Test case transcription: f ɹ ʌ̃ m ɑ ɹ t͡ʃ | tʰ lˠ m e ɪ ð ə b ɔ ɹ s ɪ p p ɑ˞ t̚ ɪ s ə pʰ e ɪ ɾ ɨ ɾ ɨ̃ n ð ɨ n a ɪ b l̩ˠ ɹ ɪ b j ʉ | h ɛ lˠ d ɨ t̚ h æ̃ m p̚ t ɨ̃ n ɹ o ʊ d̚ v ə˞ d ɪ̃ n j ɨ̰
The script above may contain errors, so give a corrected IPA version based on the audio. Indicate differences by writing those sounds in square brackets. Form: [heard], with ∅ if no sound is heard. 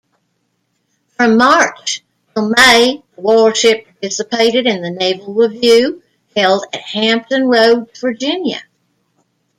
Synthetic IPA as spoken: f ɹ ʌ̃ m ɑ ɹ t͡ʃ | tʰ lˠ m e ɪ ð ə [w] ɔ ɹ [ʃ] ɪ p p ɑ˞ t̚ ɪ s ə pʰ e ɪ ɾ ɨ ɾ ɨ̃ n ð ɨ n [e] ɪ [v] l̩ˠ ɹ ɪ [v] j ʉ | h ɛ lˠ d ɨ t̚ h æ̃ m p̚ t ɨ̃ n ɹ o ʊ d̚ v ə˞ [d͡ʒ] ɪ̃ n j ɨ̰